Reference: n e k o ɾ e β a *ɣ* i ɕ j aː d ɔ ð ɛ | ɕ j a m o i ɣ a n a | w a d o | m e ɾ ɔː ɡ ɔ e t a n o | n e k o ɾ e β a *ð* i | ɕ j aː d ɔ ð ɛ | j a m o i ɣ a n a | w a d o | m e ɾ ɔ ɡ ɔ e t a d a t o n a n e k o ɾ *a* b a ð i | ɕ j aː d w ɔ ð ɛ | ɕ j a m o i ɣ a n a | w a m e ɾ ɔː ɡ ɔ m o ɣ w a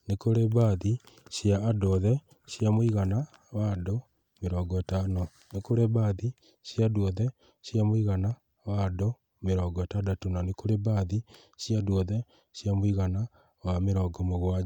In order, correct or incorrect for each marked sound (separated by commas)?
incorrect, correct, incorrect